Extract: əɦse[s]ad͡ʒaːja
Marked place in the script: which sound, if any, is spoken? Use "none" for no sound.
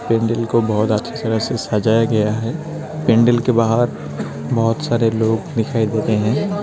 s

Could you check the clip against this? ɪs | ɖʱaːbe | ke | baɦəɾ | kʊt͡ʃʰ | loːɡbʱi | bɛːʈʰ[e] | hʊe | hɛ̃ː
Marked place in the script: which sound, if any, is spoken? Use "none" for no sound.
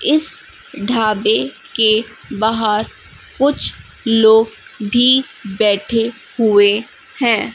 e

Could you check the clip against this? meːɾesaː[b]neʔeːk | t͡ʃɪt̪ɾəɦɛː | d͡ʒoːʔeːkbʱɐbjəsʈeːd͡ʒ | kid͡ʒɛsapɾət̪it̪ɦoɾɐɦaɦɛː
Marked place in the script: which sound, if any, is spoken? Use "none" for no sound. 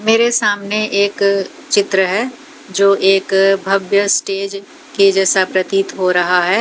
m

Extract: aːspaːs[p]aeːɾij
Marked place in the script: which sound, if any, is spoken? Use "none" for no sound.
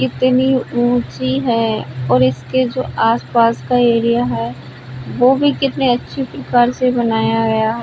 k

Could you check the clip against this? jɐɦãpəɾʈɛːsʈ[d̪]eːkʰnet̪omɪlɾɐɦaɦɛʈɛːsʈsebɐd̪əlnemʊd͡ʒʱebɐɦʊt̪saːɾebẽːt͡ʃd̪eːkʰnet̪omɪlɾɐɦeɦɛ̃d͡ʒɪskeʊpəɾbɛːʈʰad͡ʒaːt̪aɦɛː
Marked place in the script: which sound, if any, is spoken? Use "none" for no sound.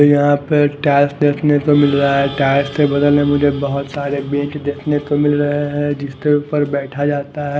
d̪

